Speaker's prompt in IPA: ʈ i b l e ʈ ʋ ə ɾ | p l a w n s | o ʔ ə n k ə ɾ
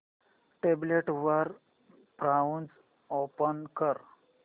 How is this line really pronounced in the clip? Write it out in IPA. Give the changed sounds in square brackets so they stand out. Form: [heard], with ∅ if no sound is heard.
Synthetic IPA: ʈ [e] b l e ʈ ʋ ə ɾ | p [ɾ] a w n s | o [p] ə n k ə ɾ